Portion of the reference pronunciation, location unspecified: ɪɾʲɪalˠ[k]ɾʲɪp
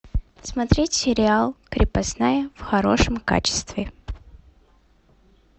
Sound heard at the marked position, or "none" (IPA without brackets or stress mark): k